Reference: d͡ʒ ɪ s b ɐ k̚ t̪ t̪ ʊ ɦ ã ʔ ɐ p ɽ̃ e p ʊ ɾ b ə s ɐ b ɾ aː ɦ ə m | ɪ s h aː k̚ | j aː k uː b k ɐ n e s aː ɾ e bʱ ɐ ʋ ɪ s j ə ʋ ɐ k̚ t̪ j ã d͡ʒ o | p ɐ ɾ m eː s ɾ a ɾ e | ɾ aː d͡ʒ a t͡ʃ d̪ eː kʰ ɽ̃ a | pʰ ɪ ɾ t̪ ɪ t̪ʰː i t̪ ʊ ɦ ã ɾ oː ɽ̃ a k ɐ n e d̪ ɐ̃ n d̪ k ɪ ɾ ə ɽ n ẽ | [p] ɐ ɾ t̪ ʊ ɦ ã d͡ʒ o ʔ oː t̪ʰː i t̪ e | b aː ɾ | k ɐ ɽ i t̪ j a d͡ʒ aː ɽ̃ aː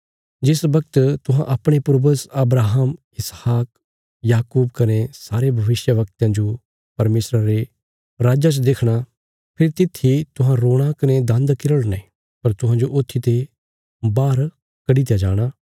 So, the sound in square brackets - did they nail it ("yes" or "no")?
yes